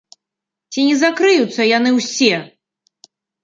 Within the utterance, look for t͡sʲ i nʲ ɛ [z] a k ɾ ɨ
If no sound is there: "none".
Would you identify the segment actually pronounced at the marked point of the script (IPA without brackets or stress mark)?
z